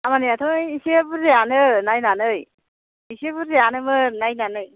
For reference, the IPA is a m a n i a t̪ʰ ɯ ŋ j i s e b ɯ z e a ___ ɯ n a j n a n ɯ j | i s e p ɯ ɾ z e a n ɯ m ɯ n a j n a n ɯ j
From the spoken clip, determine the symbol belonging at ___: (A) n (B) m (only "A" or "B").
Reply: A